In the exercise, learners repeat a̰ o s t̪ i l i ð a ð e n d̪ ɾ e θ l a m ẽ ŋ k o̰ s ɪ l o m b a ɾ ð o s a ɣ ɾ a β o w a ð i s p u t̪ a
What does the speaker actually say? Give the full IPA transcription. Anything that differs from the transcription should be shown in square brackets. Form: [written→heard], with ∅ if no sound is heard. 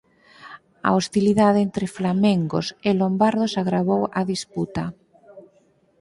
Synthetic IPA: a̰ o s t̪ i l i ð a ð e n [d̪→t̪] ɾ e [θ→f] l a m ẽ ŋ [k→ɡ] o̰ s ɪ l o m b a ɾ ð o s a ɣ ɾ a β o w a ð i s p u t̪ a